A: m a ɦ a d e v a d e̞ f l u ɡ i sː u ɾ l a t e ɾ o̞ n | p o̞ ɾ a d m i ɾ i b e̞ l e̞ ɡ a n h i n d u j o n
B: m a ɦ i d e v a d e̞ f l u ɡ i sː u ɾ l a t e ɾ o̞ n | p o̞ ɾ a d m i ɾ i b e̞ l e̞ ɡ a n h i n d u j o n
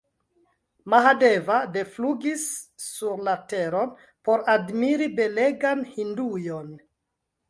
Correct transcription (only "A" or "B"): A